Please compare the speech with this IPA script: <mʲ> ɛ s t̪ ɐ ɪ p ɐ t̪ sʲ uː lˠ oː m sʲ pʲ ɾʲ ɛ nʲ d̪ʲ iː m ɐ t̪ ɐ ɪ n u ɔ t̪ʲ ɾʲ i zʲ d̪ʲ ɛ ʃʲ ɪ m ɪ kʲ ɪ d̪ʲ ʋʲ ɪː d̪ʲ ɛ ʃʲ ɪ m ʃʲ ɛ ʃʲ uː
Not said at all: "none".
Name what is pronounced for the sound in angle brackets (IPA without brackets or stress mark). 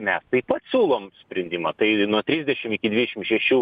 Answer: mʲ